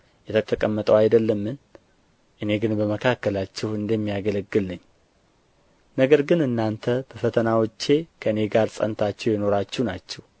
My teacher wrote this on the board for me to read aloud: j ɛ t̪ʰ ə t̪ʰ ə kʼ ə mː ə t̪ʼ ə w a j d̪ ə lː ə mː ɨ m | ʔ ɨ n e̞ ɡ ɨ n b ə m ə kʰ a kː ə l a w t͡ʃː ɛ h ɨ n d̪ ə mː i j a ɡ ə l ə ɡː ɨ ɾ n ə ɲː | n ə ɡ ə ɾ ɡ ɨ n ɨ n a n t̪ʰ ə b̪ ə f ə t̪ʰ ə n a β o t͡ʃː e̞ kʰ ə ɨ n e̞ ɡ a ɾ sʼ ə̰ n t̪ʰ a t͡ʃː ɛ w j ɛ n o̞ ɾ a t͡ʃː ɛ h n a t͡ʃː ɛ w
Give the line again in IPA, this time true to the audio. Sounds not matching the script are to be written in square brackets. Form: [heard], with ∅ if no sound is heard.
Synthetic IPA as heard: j ɛ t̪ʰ ə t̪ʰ ə kʼ ə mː ə t̪ʼ ə w a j d̪ ə lː ə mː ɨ [n] | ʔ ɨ n e̞ ɡ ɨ n b ə m ə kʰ a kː ə l a [∅] t͡ʃː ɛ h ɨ n d̪ ə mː i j a ɡ ə l ə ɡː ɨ [l] n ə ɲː | n ə ɡ ə ɾ ɡ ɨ n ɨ [nː] a n t̪ʰ ə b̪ ə f ə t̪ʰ ə n a [w] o t͡ʃː e̞ kʰ ə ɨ n e̞ ɡ a ɾ sʼ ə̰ n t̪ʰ a t͡ʃː ɛ w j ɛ n o̞ ɾ a t͡ʃː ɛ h n a t͡ʃː ɛ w

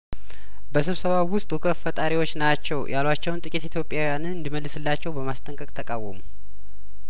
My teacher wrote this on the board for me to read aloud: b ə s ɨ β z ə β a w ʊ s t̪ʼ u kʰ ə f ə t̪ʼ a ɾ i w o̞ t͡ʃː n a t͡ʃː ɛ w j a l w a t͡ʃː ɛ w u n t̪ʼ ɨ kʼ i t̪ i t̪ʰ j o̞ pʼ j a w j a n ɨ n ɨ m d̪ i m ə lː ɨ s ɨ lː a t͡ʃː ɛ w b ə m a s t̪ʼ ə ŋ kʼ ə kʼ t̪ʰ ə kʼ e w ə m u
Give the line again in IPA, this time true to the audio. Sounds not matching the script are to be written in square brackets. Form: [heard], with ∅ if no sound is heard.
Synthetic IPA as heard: b ə s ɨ β [s] ə β a w ʊ s t̪ʼ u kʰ ə f ə t̪ʼ a ɾ i w o̞ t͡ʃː n a t͡ʃː ɛ w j a l w a t͡ʃː ɛ w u n t̪ʼ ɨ kʼ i t̪ i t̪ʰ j o̞ pʼ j a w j a n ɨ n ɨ [n] d̪ i m ə lː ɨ s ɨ lː a t͡ʃː ɛ w b ə m a s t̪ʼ ə ŋ kʼ ə kʼ t̪ʰ ə kʼ [a] w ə m u

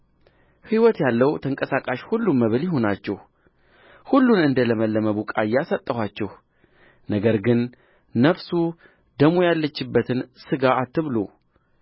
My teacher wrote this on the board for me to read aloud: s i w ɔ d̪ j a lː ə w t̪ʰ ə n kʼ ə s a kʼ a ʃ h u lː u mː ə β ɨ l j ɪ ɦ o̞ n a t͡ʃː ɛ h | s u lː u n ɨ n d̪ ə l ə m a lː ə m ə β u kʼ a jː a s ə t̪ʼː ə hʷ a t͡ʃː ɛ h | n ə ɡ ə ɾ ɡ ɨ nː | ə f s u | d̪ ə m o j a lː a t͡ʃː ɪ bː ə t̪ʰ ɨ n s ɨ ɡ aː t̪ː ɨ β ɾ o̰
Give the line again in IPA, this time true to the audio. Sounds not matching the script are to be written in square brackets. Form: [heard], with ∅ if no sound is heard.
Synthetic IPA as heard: [h] i w ɔ [t̪] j a lː ə w t̪ʰ ə [ŋ] kʼ ə s a kʼ a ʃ h u lː u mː ə β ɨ l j ɪ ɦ o̞ n a t͡ʃː ɛ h | [h] u lː u n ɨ n d̪ ə l ə m [ə] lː ə m ə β u kʼ a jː a s ə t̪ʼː ə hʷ a t͡ʃː ɛ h | n ə ɡ ə ɾ ɡ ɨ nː | ə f s u | d̪ ə m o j a lː [ə] t͡ʃː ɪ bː ə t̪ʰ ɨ n s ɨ ɡ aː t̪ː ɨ β [l] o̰

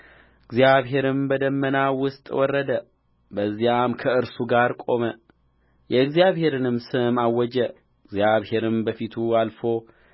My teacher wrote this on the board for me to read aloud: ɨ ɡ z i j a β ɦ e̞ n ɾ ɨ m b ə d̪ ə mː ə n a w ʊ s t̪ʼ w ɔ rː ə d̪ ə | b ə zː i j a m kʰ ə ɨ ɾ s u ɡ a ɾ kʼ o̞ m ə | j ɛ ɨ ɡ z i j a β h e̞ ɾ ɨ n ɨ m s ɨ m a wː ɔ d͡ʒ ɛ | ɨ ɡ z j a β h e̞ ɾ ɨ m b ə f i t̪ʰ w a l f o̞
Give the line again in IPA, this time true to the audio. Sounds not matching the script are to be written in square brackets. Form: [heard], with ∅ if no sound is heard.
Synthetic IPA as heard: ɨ ɡ z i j a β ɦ e̞ [∅] ɾ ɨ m b ə d̪ ə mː ə n a w ʊ s t̪ʼ w ɔ rː ə d̪ ə | b ə zː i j a m kʰ ə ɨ ɾ s u ɡ a ɾ kʼ o̞ m ə | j ɛ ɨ ɡ z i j a β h e̞ ɾ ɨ n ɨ m s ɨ m a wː ɔ d͡ʒ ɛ | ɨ ɡ z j a β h e̞ ɾ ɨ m b ə f i t̪ʰ [u] a l f o̞

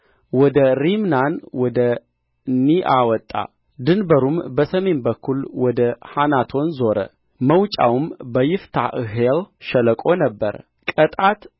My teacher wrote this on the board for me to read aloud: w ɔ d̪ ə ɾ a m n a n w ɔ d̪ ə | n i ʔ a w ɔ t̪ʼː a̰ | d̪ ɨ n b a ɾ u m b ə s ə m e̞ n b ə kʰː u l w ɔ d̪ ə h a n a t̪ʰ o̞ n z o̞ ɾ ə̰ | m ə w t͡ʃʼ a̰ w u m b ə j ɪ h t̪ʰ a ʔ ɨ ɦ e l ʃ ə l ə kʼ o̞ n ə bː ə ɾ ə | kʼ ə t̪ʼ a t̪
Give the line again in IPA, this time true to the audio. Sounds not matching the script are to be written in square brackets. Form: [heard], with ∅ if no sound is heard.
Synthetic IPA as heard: w ɔ d̪ ə ɾ [i] m n a n w ɔ d̪ ə | n i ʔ a w ɔ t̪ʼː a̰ | d̪ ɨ n b [ə] ɾ u m b ə s ə m e̞ n b ə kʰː u l w ɔ d̪ ə h a n a t̪ʰ o̞ n z o̞ ɾ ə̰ | m ə w t͡ʃʼ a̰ w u m b ə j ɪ [f] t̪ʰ a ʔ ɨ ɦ e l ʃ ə l ə kʼ o̞ n ə bː ə ɾ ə | kʼ ə t̪ʼ a t̪

